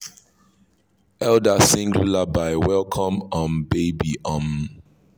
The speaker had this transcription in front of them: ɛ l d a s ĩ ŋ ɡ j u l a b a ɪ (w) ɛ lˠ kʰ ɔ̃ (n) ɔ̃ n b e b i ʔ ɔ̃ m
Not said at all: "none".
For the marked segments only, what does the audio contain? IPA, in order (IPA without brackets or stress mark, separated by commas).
w, m